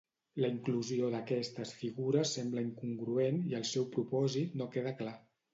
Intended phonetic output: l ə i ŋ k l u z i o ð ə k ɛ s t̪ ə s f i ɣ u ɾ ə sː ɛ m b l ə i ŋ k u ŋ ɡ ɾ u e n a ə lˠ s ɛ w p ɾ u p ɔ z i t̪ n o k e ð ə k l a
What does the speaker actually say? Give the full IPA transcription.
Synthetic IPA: l ə i ŋ k l u z i o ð ə k ɛ s t̪ ə s f i ɣ u ɾ ə sː ɛ m b l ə i ŋ k u ŋ ɡ ɾ u e n i ə lˠ s ɛ w p ɾ u p ɔ z i t̪ n o k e ð ə k l a